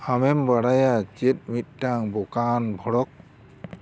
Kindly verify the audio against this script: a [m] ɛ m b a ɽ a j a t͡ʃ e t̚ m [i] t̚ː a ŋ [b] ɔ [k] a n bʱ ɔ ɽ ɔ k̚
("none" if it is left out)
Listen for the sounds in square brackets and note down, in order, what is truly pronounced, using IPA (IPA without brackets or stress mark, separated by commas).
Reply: m, i, b, k